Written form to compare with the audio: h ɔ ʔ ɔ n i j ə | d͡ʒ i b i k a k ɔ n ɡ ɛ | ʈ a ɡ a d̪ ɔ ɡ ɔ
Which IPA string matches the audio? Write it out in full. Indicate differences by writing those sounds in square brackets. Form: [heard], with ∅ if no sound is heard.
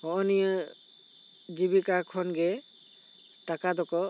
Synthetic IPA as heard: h ɔ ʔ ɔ n i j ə | d͡ʒ i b i k a [kʰ] ɔ n ɡ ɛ | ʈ a [k] a d̪ ɔ [k] ɔ